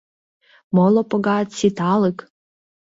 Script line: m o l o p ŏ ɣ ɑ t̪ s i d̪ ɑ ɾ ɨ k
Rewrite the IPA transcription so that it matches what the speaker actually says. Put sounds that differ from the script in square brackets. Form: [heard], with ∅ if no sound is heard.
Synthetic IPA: m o l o p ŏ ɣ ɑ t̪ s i [t̪] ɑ [l] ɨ k